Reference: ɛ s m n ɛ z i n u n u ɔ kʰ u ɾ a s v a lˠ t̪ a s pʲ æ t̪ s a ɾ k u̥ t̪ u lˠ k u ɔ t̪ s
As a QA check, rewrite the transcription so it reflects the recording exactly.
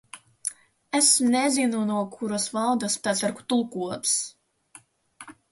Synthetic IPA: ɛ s m n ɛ z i n u n u ɔ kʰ u ɾ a s v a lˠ d̪ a s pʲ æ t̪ s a ɾ k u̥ t̪ u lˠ k u ɔ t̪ s